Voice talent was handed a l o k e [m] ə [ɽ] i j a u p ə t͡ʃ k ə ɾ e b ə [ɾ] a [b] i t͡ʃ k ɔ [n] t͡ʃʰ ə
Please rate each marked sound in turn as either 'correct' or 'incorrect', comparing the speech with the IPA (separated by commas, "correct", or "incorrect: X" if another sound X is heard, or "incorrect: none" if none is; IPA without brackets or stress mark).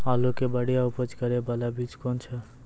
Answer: incorrect: b, correct, incorrect: l, correct, correct